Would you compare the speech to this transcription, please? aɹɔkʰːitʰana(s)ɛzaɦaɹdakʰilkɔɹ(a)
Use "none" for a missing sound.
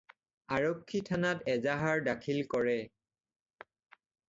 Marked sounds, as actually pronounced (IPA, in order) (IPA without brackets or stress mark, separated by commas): t, ɛ